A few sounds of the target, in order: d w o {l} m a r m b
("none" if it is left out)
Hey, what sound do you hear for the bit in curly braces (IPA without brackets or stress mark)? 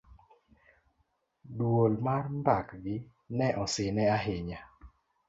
l